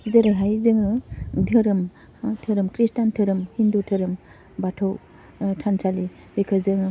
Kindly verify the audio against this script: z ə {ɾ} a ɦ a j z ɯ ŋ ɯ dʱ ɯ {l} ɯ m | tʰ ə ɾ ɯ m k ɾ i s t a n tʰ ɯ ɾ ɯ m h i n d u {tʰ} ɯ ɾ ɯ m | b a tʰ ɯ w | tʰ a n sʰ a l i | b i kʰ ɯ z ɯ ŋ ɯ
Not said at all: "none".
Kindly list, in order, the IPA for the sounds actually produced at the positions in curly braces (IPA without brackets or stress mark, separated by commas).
ɾ, ɾ, tʰ